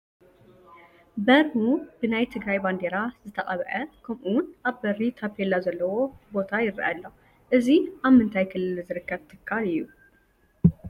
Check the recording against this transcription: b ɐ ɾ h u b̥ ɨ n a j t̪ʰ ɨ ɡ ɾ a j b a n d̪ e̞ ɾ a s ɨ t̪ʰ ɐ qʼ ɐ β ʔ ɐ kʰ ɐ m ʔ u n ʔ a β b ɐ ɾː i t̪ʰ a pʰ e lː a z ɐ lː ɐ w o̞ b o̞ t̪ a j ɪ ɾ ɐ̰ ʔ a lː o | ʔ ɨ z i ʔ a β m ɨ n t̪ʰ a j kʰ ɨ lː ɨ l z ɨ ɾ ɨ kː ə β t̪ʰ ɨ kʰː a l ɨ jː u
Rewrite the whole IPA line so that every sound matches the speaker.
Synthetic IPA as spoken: b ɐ ɾ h u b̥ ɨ n a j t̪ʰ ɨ ɡ ɾ a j b a n d̪ e̞ ɾ a z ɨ t̪ʰ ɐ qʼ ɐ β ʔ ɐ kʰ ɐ m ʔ u n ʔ a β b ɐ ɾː i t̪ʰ a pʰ e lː a z ɐ lː ɐ w o̞ b o̞ t̪ʰ a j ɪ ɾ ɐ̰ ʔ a lː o | ʔ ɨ z i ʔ a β m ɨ n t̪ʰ a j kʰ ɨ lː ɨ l z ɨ ɾ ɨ kː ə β t̪ʰ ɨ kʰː a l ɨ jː u